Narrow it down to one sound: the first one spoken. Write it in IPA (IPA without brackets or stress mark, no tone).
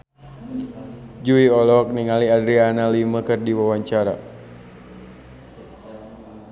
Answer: d͡ʒ